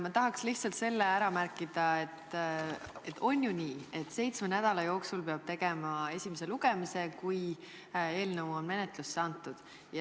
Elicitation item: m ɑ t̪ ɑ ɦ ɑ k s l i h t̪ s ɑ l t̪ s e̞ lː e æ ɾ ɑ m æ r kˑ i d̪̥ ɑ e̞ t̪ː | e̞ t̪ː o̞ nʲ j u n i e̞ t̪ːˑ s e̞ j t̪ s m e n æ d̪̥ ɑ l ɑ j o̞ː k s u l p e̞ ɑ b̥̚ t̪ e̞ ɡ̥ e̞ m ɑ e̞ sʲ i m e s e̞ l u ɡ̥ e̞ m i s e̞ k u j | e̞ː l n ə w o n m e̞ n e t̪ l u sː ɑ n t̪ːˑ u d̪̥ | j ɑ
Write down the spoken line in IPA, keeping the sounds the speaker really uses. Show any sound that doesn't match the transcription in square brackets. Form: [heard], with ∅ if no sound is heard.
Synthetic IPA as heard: m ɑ t̪ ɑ ɦ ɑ k s l i h t̪ s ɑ l t̪ s e̞ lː e æ ɾ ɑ m æ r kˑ i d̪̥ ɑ e̞ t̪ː | e̞ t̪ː o̞ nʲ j u n [iː] e̞ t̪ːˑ s e̞ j t̪ s m e n æ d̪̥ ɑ l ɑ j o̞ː k s u l p e̞ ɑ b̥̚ t̪ e̞ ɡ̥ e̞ m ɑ e̞ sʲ i m e s e̞ l u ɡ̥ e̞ m i s e̞ k u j | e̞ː l n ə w o n m e̞ n e t̪ l u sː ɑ n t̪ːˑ u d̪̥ | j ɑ